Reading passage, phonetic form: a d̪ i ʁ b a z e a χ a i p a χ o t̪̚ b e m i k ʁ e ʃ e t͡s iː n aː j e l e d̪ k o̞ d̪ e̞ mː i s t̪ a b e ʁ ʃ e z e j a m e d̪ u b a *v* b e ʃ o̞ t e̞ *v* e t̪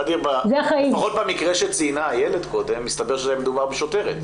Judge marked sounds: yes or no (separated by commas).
no, no